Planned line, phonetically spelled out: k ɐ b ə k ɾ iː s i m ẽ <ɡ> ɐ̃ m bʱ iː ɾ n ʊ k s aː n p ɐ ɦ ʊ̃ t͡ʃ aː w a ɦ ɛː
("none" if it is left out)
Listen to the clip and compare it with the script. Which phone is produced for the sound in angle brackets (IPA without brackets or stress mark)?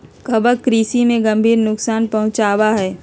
ɡ